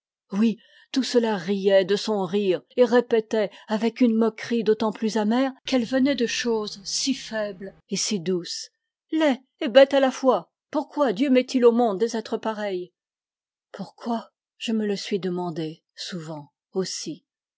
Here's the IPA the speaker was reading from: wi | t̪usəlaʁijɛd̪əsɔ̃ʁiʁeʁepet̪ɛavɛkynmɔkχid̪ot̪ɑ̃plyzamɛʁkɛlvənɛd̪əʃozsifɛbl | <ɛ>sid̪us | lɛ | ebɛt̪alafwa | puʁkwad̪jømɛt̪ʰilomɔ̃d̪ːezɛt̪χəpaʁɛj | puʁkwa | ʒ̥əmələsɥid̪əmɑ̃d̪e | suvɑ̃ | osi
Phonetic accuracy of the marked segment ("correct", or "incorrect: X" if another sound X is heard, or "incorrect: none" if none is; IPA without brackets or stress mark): incorrect: e